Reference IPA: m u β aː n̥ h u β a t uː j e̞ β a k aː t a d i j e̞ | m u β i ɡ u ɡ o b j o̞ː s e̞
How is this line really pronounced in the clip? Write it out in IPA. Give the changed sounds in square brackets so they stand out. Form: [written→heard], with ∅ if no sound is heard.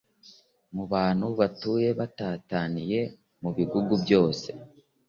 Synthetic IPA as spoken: m u β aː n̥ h u β a t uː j e̞ β a [k→t] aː t a [d→n] i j e̞ | m u β i ɡ u ɡ [o→u] b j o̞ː s e̞